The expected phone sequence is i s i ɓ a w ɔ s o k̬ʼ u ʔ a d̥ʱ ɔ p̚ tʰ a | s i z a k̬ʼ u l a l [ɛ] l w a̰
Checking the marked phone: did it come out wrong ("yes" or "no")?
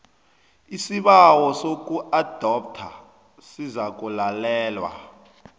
yes